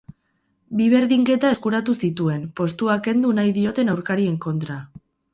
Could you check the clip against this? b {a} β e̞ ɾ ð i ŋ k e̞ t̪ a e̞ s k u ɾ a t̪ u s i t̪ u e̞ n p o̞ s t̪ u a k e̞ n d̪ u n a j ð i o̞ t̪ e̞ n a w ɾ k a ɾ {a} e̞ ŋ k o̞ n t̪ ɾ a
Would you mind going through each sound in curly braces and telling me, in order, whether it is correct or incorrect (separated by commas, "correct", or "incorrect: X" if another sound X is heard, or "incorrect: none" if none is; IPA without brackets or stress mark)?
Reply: incorrect: i, incorrect: i